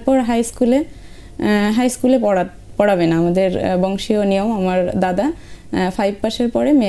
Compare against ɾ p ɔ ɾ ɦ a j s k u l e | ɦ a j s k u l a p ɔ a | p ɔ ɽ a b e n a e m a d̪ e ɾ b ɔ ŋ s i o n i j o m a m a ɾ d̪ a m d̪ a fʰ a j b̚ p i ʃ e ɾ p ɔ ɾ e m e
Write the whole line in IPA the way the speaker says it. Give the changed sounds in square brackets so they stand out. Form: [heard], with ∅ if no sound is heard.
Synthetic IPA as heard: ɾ p ɔ ɾ ɦ a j s k u l e | ɦ a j s k u l [e] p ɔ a | p ɔ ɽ a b e n a [a] m a d̪ e ɾ b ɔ ŋ [ʃ] i o n i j o m a m a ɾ d̪ a [∅] d̪ a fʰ a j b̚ p [a] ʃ e ɾ p ɔ ɾ e m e